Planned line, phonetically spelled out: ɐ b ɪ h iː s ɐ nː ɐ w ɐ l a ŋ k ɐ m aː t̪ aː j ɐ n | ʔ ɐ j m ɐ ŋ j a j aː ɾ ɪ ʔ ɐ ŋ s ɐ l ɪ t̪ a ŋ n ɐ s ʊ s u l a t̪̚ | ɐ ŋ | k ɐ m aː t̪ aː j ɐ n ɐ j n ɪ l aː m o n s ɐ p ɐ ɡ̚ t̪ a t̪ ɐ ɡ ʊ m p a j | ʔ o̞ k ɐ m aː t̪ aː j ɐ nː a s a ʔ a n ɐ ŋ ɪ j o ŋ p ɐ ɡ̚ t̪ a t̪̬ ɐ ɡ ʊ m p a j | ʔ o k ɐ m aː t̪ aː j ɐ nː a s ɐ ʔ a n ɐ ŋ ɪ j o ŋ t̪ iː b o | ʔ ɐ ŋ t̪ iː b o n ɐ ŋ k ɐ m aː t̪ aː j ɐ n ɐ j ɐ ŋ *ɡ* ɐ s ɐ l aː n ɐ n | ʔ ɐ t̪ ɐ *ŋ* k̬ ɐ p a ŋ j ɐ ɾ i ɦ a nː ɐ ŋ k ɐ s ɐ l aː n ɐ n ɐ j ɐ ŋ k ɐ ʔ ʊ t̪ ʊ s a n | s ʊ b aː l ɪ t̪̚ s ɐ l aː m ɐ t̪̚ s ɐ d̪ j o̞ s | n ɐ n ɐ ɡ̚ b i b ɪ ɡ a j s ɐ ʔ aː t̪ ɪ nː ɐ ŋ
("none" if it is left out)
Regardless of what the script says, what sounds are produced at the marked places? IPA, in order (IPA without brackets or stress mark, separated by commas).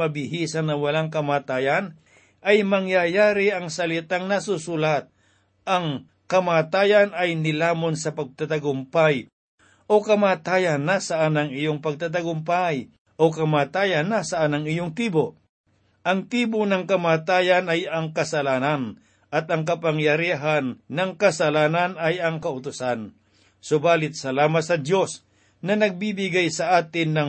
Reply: k, ŋ